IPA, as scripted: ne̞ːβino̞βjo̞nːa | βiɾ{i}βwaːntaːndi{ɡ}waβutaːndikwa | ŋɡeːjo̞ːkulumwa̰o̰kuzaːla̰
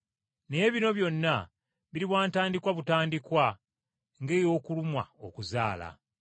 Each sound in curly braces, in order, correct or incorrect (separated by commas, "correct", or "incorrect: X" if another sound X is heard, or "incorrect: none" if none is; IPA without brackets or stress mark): correct, incorrect: k